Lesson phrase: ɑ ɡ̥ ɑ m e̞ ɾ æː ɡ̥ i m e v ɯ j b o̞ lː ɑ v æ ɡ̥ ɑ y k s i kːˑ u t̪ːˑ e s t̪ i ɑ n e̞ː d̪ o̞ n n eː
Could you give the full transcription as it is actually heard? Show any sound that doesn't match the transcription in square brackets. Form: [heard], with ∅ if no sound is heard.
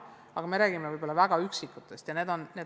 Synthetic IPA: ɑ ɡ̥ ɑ m e̞ ɾ æː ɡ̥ i m e v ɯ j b o̞ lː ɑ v æ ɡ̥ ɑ y k s i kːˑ u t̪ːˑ e s t̪ [j] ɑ n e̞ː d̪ o̞ n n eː

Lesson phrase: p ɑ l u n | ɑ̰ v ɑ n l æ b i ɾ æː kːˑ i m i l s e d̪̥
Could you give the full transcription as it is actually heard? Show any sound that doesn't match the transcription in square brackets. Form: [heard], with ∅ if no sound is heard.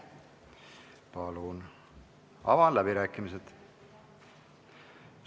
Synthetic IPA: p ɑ l u n | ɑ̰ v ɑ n l æ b i ɾ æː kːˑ i m i [∅] s e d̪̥

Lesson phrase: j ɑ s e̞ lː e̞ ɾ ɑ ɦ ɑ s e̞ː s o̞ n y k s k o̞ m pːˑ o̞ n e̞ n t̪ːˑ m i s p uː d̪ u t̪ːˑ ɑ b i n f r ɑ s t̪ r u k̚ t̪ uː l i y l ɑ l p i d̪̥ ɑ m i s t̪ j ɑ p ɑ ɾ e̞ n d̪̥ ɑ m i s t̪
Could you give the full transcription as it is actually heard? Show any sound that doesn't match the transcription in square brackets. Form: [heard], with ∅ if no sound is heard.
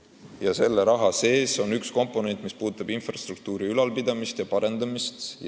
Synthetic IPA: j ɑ s e̞ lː e̞ ɾ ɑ ɦ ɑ s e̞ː s o̞ n y k s k o̞ m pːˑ o̞ n e̞ n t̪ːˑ m i s p uː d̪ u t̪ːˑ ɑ b i n f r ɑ s t̪ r u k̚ t̪ uː [ɾ] i y l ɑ l p i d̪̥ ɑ m i s t̪ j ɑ p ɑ ɾ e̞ n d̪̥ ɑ m i s t̪

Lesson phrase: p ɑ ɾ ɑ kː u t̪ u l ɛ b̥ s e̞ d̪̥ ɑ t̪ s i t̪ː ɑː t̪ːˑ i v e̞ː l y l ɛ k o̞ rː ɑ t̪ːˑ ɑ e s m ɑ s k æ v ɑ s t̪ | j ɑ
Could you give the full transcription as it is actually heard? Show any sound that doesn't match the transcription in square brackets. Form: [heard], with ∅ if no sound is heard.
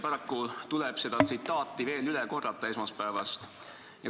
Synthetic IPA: p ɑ ɾ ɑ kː u t̪ u l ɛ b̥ s e̞ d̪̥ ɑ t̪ s i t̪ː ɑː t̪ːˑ i v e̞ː l y l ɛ k o̞ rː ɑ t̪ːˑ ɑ e s m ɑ s [p] æ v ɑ s t̪ | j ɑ

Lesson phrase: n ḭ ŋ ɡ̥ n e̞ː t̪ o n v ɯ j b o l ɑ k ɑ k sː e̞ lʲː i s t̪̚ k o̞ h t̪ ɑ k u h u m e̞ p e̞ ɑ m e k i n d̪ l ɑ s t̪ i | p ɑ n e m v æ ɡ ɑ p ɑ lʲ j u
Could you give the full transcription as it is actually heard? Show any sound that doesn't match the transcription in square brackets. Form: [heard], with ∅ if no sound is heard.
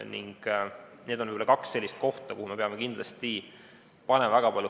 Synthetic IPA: n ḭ ŋ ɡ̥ n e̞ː [d̪] o n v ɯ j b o l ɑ k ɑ k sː e̞ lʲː i s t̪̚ k o̞ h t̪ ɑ k u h u m e̞ p e̞ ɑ m e k i n d̪ l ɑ s t̪ i | p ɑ n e m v æ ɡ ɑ p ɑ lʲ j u

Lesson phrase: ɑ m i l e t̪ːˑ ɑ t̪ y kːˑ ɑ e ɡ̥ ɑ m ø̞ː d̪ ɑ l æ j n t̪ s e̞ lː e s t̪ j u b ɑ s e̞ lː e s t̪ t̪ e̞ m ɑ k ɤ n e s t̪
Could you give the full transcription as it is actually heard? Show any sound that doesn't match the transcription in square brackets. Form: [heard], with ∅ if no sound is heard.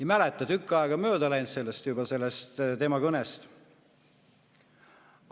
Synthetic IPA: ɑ m [æ] l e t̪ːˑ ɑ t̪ y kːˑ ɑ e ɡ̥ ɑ m ø̞ː d̪ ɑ l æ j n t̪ s e̞ lː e s t̪ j u b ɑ s e̞ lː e s t̪ t̪ e̞ m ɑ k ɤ n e s t̪

